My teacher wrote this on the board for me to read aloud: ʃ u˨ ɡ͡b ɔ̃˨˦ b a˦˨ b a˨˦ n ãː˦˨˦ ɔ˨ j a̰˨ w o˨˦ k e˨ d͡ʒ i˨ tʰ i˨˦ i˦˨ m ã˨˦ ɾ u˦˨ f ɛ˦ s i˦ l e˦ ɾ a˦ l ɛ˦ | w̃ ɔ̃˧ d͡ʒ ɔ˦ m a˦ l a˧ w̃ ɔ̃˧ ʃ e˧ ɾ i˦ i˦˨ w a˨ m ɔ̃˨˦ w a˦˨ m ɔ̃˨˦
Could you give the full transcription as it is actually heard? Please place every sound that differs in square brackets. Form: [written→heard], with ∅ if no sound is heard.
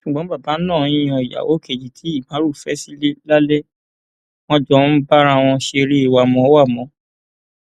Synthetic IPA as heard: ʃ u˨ ɡ͡b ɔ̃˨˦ b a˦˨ b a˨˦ n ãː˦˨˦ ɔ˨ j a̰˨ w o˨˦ k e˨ d͡ʒ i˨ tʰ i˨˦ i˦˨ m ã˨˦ ɾ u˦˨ f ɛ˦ s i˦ l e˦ [ɾ→l] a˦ l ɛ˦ | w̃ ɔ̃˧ d͡ʒ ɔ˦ [m→b] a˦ [l→ɾ] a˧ w̃ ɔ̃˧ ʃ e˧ ɾ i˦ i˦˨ w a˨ m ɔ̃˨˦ w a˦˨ m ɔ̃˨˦